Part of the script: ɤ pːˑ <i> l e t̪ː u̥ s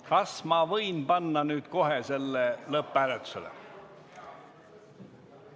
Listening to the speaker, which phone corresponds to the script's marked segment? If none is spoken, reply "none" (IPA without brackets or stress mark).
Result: æ